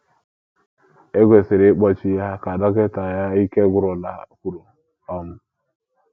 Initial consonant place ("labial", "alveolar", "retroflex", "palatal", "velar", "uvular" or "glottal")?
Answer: velar